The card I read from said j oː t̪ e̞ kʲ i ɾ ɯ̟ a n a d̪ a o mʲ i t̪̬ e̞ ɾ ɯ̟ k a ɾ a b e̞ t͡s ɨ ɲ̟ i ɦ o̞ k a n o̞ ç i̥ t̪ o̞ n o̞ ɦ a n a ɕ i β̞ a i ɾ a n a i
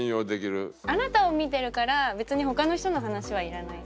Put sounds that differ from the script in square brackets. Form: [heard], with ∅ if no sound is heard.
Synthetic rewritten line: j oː [d̪] e̞ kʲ i ɾ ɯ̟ a n a [t̪] a o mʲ i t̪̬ e̞ ɾ ɯ̟ k a ɾ a b e̞ t͡s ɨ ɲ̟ i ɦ o̞ k a n o̞ ç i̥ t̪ o̞ n o̞ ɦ a n a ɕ i β̞ a i ɾ a n a i